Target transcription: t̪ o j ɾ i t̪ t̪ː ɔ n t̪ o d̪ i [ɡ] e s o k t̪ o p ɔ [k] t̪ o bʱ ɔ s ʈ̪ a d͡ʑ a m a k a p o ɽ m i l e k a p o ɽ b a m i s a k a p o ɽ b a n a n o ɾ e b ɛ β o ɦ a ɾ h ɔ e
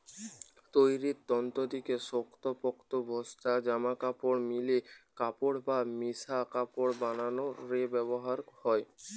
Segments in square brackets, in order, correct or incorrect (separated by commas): incorrect, correct